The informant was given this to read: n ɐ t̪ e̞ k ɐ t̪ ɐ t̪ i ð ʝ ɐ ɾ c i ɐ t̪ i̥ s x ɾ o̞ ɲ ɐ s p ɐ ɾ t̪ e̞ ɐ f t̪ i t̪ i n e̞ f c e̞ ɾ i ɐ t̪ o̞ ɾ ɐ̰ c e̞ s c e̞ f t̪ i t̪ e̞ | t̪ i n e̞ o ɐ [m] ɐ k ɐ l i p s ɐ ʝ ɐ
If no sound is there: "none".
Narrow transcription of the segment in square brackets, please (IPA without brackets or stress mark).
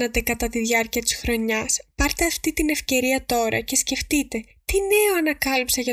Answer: n